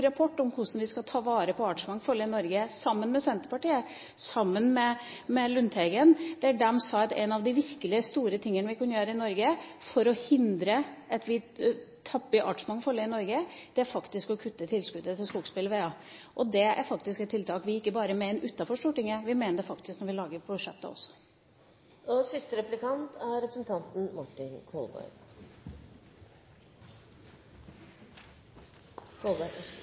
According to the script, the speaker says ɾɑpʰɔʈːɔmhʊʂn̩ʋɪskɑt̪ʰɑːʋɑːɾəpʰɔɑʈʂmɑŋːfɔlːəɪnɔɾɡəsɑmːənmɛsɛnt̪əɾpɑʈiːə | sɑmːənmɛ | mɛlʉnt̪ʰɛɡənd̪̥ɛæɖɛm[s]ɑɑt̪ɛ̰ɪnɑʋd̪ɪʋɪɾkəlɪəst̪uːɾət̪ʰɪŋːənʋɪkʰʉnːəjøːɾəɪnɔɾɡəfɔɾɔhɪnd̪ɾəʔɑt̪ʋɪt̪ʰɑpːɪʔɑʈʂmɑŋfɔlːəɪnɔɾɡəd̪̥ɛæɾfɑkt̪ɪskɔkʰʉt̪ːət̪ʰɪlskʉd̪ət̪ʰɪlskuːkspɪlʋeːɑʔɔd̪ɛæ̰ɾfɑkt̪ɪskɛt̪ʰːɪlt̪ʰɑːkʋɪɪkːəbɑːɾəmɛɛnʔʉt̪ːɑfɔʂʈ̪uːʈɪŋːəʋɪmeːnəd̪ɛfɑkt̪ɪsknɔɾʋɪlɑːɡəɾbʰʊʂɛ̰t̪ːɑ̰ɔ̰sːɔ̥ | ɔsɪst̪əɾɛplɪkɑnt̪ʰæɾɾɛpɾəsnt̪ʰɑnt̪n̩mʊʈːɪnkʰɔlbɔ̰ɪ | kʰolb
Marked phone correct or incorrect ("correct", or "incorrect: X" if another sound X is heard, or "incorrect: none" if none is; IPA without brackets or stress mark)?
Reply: correct